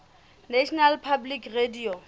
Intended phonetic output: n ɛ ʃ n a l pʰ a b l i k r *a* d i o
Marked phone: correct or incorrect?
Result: incorrect